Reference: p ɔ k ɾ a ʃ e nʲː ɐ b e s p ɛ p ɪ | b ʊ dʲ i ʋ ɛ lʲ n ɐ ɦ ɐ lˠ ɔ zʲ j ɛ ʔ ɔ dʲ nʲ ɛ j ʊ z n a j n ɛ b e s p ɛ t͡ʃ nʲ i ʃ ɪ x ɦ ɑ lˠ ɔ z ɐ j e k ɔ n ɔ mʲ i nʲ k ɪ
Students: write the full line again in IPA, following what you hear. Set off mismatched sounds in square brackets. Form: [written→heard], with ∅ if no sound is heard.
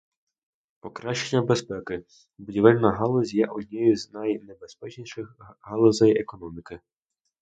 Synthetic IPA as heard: p ɔ k ɾ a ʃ e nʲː ɐ b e s p ɛ [p→k] ɪ | b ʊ dʲ i ʋ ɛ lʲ n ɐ ɦ [ɐ→ɑ] lˠ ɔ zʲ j ɛ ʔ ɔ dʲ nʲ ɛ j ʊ z n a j n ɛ b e s p ɛ t͡ʃ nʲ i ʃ ɪ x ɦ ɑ lˠ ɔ z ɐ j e k ɔ n ɔ mʲ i [nʲ→∅] k ɪ